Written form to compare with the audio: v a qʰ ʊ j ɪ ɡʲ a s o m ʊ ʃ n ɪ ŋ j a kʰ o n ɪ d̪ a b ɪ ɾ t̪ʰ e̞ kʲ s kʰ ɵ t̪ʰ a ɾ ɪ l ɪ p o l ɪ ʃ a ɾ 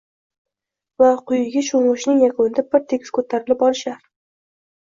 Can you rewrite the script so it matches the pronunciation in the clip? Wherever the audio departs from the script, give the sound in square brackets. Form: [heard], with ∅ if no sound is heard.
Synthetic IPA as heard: v a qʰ ʊ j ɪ ɡʲ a [ʃ] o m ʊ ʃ n ɪ ŋ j a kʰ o n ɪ d̪ a b ɪ ɾ t̪ʰ e̞ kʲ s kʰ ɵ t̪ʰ a ɾ ɪ l ɪ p [ɒ] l ɪ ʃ a ɾ